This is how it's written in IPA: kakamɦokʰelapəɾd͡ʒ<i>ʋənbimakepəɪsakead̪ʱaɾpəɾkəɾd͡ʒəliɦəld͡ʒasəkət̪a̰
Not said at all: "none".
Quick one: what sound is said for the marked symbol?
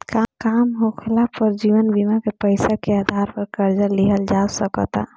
i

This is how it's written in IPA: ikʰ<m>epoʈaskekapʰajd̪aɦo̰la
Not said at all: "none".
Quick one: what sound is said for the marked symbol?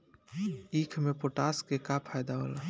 m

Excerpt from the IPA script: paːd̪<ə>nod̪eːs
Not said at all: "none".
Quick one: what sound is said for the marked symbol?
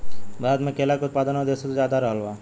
ə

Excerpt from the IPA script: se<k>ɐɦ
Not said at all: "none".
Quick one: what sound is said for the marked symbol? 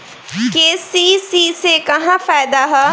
k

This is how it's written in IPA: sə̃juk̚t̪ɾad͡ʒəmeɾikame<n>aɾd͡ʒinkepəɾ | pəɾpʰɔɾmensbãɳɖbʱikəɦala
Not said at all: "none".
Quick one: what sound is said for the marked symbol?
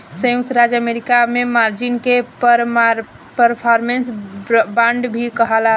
m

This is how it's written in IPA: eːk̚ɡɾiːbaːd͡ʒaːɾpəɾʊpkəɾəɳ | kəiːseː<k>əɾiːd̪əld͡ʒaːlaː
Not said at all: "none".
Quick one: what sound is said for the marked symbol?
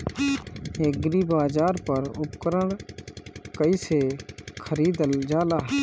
kʰ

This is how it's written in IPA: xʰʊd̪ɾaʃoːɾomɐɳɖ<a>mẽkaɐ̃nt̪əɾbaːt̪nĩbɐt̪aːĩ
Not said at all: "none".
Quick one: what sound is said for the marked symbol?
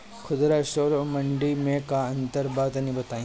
i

